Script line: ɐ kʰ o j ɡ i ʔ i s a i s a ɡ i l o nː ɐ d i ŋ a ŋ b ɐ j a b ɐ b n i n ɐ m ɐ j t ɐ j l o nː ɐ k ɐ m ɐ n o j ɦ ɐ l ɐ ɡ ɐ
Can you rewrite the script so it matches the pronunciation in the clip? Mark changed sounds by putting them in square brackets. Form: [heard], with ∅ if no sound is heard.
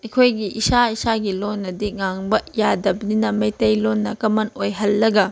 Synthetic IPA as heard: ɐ kʰ o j ɡ i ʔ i s a i s a ɡ i l o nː ɐ d i ŋ a ŋ b ɐ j a [d] ɐ b n i n ɐ m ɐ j t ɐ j l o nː ɐ k ɐ m ɐ n o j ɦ ɐ [lː] ɐ ɡ ɐ